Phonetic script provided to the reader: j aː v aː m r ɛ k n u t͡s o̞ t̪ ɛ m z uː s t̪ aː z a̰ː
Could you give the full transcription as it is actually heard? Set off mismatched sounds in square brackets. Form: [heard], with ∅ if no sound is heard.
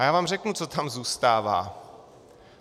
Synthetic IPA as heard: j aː v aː m r ɛ k n u t͡s o̞ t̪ [a] m z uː s t̪ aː [v] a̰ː